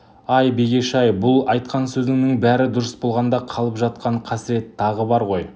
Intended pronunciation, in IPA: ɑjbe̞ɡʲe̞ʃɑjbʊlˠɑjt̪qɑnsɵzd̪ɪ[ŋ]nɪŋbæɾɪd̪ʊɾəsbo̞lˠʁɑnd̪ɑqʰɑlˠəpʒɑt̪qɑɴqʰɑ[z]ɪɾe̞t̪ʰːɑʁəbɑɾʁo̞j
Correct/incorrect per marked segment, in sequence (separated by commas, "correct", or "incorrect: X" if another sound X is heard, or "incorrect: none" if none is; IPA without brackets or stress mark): correct, incorrect: s